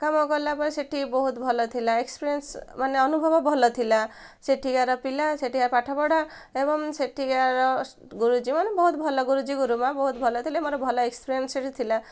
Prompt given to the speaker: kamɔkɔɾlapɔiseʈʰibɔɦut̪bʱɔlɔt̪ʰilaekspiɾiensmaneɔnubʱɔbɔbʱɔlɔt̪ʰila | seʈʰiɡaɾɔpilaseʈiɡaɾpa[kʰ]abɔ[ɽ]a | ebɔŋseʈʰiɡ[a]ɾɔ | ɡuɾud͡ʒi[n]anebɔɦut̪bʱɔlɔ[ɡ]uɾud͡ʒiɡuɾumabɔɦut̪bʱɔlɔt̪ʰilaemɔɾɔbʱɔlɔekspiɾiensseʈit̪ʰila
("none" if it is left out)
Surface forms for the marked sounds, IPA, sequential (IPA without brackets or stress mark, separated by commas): ʈʰ, ɽ, a, m, ɡ